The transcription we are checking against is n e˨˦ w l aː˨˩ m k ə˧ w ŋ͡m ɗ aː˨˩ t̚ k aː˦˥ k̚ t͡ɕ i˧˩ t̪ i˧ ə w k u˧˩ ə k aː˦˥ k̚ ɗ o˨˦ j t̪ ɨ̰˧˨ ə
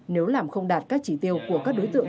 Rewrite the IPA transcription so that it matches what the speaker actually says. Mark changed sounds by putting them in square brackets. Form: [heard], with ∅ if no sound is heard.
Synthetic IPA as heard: n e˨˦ w l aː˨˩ m [x] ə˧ w ŋ͡m ɗ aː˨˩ t̚ k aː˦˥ k̚ t͡ɕ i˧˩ t̪ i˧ ə w k u˧˩ ə k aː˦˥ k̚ ɗ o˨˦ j t̪ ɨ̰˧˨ ə